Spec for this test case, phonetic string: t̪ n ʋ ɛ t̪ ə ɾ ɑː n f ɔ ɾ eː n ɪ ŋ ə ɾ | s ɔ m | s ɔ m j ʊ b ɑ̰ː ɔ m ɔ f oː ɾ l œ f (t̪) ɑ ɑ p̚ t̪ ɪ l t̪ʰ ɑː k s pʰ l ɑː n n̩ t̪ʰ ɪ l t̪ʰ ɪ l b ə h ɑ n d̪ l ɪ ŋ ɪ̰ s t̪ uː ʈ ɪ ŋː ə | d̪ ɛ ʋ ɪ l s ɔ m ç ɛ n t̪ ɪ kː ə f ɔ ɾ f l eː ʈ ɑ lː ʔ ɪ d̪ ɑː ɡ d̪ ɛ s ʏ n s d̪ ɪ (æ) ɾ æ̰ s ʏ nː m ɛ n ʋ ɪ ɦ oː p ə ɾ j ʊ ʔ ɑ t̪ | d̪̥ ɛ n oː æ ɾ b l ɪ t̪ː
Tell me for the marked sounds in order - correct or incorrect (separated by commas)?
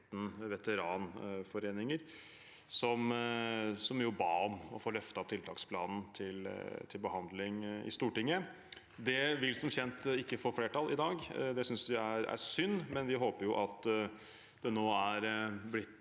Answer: correct, correct